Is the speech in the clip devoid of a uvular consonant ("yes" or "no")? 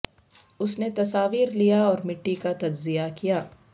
yes